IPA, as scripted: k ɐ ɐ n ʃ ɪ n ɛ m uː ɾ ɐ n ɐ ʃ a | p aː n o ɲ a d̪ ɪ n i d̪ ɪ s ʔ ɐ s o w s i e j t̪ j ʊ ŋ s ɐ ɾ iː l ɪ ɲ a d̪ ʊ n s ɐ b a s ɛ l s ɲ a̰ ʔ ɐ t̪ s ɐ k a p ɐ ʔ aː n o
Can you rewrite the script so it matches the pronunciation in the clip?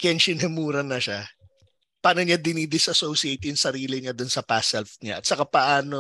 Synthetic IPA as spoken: k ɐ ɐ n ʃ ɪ n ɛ m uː ɾ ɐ n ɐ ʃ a | p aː n o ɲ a d̪ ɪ n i d̪ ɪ s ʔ ɐ s o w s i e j t̪ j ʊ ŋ s ɐ ɾ iː l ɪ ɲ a d̪ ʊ n s ɐ p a s ɛ l f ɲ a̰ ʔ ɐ t̪ s ɐ k a p ɐ ʔ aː n o